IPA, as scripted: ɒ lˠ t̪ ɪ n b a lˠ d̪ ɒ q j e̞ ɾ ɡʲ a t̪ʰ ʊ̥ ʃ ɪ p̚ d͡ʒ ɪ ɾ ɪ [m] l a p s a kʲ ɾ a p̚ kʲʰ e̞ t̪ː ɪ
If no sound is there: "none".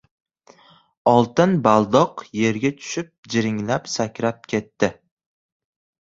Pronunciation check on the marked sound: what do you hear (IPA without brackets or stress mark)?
ŋ